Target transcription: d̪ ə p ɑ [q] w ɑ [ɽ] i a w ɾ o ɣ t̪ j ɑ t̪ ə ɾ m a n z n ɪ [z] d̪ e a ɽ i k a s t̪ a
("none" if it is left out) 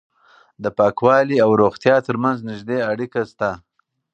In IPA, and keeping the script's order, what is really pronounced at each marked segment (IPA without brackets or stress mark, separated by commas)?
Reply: k, l, ʒ